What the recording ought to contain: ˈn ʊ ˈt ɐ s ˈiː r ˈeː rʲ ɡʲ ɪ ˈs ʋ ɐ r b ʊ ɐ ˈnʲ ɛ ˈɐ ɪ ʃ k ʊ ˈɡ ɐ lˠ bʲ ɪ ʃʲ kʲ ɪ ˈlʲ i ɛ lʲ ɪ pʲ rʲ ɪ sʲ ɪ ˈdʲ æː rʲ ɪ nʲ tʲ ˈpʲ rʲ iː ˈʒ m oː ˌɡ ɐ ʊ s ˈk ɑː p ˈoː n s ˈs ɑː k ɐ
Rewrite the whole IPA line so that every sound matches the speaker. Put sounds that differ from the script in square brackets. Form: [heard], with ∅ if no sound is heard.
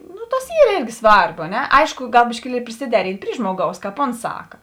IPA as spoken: ˈn ʊ ˈt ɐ s ˈiː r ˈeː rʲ ɡʲ ɪ ˈs ʋ ɐ r b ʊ ɐ ˈnʲ ɛ ˈɐ ɪ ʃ k ʊ ˈɡ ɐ lˠ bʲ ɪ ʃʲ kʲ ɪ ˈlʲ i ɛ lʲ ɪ pʲ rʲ ɪ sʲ ɪ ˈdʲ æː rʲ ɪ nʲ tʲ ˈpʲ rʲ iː ˈʒ m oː ˌɡ ɐ ʊ s ˈk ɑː p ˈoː n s ˈs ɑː k ɐ